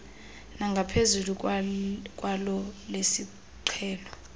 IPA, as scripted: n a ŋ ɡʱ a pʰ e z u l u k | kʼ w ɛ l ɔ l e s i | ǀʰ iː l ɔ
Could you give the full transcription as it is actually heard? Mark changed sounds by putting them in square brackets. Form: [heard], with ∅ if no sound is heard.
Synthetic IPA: n a ŋ ɡʱ a pʰ e z u l u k | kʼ w [a] l ɔ l e s i | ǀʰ [ɛː] l ɔ